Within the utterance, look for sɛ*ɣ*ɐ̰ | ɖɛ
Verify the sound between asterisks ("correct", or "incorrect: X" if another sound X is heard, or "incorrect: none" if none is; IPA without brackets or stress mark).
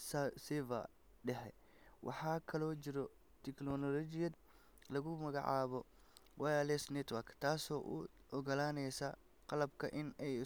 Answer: incorrect: v